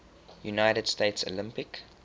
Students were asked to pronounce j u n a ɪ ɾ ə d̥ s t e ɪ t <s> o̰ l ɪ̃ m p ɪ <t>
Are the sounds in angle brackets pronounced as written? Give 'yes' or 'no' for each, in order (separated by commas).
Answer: yes, no